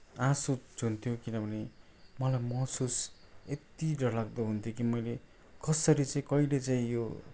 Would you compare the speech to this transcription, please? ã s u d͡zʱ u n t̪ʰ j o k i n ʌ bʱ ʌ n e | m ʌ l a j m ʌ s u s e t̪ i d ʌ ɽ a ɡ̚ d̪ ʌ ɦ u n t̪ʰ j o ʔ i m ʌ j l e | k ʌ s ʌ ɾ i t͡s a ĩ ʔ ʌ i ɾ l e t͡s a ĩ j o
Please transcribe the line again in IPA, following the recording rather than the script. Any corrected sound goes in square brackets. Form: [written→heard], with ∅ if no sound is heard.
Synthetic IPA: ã s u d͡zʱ u n t̪ʰ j o k i n ʌ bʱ ʌ n e | m ʌ l a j m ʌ s u s e t̪ i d ʌ [ɽ→l] a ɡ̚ d̪ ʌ ɦ u n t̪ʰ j o [ʔ→k] i m ʌ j l e | k ʌ s ʌ ɾ i t͡s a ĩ [ʔ→k] ʌ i [ɾ→∅] l e t͡s a ĩ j o